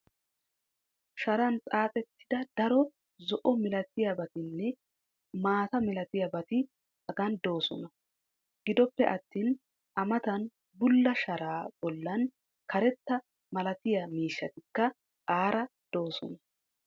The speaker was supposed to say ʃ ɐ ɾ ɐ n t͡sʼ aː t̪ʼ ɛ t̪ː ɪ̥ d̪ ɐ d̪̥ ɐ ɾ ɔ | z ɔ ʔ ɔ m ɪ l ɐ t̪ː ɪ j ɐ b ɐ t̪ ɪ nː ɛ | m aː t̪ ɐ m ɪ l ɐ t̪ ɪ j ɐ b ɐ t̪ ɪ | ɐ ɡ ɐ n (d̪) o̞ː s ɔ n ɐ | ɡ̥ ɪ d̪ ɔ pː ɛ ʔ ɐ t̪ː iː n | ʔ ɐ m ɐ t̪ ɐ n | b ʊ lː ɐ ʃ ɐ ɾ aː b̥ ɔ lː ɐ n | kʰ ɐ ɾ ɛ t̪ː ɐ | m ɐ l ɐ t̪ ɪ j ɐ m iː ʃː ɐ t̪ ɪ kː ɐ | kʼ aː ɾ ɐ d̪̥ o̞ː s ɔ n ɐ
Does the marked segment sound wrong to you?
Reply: no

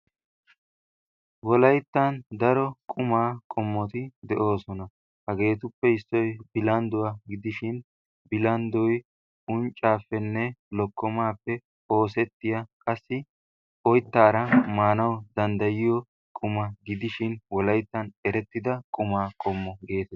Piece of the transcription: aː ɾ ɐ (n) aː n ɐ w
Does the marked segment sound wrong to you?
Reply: yes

